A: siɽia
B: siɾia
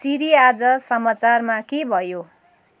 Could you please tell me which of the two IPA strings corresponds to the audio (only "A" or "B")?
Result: B